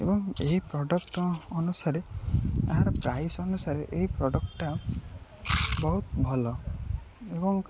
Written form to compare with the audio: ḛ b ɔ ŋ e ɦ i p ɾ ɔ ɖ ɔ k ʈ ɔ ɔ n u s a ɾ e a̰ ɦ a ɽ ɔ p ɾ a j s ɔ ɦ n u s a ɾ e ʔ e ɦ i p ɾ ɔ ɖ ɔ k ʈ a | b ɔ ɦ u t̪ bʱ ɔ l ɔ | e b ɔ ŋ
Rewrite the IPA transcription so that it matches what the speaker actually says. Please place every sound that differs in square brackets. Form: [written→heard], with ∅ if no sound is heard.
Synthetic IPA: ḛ b ɔ ŋ e ɦ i p ɾ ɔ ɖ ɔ k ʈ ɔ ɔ n u s a ɾ e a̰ ɦ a [ɽ→ɾ] ɔ p ɾ a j s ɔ [ɦ→∅] n u s a ɾ e ʔ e ɦ i p ɾ ɔ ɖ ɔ k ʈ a | b ɔ ɦ u t̪ bʱ ɔ l ɔ | e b ɔ ŋ